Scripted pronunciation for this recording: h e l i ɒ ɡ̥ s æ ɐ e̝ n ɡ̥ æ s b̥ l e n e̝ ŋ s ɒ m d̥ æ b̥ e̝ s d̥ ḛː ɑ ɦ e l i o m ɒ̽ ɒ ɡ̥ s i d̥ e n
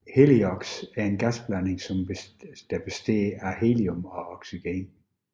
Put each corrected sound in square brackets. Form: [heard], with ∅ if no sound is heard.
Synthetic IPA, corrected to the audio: h e l i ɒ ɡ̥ s æ ɐ e̝ n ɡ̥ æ s b̥ l [æ] n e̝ ŋ s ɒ m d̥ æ b̥ e̝ s d̥ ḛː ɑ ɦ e l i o m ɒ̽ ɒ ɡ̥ s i [ɡ̥] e n